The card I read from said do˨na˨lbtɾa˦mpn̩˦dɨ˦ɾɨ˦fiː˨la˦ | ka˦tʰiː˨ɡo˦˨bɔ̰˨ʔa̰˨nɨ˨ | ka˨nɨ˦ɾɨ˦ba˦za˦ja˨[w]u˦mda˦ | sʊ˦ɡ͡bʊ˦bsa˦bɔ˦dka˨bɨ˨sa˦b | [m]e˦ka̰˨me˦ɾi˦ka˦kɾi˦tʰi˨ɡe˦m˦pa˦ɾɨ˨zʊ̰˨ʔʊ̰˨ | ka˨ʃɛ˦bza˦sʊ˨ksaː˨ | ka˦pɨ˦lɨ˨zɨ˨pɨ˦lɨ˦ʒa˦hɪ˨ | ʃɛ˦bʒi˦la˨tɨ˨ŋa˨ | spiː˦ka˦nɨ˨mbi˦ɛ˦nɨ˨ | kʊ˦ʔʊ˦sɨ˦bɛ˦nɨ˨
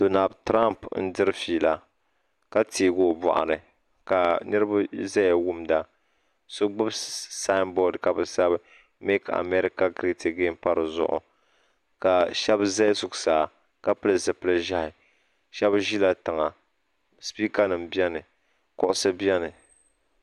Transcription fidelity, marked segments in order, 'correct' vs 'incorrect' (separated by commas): correct, correct